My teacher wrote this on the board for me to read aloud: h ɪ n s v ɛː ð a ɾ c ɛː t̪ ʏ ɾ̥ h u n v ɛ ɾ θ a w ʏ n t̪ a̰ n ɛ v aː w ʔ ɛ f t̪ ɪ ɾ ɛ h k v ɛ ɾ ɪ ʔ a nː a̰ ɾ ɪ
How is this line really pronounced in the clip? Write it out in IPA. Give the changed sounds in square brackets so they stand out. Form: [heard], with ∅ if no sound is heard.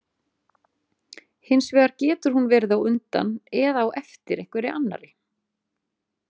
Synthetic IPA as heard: h ɪ n s v ɛː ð a ɾ c ɛː t̪ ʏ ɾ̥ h u n v ɛ ɾ [ð] a w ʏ n t̪ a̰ n ɛ [ð] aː w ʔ ɛ f t̪ ɪ ɾ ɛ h k v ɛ ɾ ɪ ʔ a nː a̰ ɾ ɪ

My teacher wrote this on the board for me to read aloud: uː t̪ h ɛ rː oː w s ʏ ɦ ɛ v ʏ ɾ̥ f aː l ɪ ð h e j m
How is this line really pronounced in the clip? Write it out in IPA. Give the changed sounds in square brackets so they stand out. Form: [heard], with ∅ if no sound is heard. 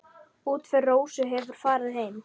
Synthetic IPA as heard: uː t̪ [f] ɛ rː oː w s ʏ ɦ ɛ v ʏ ɾ̥ f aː [ɾ] ɪ ð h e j m

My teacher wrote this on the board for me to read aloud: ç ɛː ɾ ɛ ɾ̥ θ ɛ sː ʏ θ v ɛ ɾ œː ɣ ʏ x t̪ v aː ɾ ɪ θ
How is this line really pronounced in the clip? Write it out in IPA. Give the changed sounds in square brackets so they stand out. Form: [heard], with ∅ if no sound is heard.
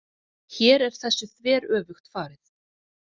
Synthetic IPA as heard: ç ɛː ɾ ɛ ɾ̥ θ ɛ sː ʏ θ v [ɛː] ɾ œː [v] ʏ x t̪ [f] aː ɾ ɪ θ

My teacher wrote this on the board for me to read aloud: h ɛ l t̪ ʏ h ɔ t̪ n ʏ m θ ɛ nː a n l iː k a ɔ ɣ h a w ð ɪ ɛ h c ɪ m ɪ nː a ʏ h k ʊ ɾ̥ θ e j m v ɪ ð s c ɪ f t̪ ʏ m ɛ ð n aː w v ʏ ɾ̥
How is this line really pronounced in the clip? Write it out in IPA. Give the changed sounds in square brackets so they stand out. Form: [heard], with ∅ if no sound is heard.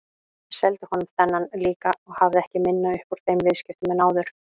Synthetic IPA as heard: [s] ɛ l t̪ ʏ h ɔ [∅] n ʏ m θ ɛ nː a n l iː k a ɔ ɣ h a [v] ð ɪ ɛ h c ɪ m ɪ nː a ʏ h [p] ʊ ɾ̥ θ e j m v ɪ ð s c ɪ f t̪ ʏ m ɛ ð n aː w [ð] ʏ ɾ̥

